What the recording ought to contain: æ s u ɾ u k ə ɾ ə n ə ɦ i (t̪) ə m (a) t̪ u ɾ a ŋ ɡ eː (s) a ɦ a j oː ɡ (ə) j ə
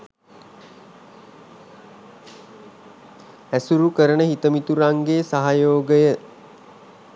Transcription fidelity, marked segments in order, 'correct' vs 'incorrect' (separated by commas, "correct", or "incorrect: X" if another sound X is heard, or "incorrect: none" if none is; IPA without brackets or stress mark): correct, incorrect: i, correct, correct